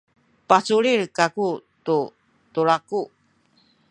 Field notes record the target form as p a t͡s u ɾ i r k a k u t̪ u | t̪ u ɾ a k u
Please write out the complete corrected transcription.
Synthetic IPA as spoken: p a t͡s u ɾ i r k a k u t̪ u | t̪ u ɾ a k u